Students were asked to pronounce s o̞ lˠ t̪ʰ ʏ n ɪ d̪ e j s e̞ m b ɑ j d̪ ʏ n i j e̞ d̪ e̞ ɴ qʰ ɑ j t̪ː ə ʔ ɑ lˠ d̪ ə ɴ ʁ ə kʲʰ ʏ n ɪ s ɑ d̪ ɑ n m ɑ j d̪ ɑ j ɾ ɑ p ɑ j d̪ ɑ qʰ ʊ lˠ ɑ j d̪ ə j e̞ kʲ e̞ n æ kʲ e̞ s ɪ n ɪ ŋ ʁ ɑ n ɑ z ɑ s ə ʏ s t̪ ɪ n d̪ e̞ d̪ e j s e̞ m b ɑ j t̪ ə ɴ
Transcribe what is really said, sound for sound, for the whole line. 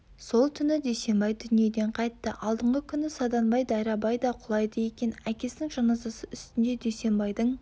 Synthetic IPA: s o̞ lˠ t̪ʰ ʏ n ɪ d̪ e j s e̞ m b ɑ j d̪ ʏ n i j e̞ d̪ e̞ ɴ qʰ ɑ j t̪ː ə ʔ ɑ lˠ d̪ ə ɴ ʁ ə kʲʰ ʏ n ɪ s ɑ d̪ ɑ n b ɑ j d̪ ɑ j ɾ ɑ b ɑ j d̪ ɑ qʰ ʊ lˠ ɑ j d̪ ə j e̞ kʲ e̞ n æ kʲ e̞ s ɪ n ɪ ŋ ʒ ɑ n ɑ z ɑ s ə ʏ s t̪ ɪ n d̪ e̞ d̪ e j s e̞ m b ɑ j d̪ ə ɴ

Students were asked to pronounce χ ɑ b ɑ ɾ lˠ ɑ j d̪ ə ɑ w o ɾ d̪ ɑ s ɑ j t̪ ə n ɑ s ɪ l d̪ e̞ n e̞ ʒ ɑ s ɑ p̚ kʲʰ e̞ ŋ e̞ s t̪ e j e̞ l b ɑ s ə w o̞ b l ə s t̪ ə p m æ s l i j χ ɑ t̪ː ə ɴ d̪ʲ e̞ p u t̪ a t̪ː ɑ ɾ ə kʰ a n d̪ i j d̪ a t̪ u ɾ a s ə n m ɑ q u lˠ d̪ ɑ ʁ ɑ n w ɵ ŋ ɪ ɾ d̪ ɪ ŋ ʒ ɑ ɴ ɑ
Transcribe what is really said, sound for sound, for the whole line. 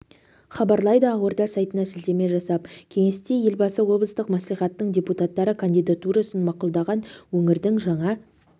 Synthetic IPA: χ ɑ b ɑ ɾ lˠ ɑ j d̪ ə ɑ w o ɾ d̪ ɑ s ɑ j t̪ ə n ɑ s ɪ l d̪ e̞ m e̞ ʒ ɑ s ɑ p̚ kʲʰ e̞ ŋ e̞ s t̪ e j e̞ l b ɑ s ə w o̞ b l ə s t̪ ə q m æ s l i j χ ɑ t̪ː ə ɴ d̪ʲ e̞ p u t̪ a t̪ː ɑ ɾ ə kʰ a n d̪ i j d̪ a t̪ u ɾ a s ə n m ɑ q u lˠ d̪ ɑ ʁ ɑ n w ɵ ŋ ɪ ɾ d̪ ɪ ŋ ʒ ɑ ɴ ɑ

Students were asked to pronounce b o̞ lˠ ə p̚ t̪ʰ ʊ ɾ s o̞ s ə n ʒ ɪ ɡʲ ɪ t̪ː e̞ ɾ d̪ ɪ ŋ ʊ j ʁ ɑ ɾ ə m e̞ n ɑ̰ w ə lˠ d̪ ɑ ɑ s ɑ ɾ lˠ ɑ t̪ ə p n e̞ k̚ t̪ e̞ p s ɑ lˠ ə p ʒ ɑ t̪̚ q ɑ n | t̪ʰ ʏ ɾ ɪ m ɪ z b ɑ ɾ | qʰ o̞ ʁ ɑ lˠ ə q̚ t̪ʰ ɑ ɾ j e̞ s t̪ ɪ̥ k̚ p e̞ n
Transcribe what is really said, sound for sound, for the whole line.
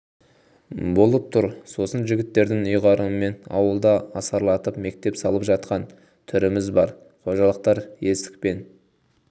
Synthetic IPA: b o̞ lˠ ə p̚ t̪ʰ ʊ ɾ s o̞ s ə n ʒ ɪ ɡʲ ɪ t̪ː e̞ ɾ d̪ ɪ ŋ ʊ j ʁ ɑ ɾ ə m e̞ n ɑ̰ w ə lˠ d̪ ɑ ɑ s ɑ ɾ lˠ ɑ t̪ ə p m e̞ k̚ t̪ e̞ p s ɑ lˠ ə p ʒ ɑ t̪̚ q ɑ n | t̪ʰ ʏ ɾ ɪ m ɪ z b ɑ ɾ | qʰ o̞ ʒ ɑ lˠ ə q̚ t̪ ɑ ɾ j e̞ s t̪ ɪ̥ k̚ p e̞ n

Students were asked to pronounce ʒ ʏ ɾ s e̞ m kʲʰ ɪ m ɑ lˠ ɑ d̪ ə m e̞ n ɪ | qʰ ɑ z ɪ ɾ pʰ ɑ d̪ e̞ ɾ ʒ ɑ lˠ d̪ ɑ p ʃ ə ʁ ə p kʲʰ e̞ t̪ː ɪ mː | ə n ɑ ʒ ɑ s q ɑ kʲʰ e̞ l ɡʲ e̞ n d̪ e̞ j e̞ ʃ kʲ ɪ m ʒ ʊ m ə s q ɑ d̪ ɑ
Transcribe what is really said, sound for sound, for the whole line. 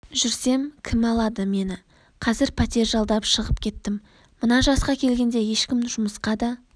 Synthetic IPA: ʒ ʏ ɾ s e̞ m kʲʰ ɪ m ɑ lˠ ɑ d̪ ə m e̞ n ɪ | qʰ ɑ z ɪ ɾ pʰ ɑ t̪ e̞ ɾ ʒ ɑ lˠ d̪ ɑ p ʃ ə ʁ ə p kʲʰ e̞ t̪ː ɪ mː | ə n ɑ ʒ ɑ s q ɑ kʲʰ e̞ l ɡʲ e̞ n d̪ e̞ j e̞ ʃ kʲ ɪ m ʒ ʊ m ə s q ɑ d̪ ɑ

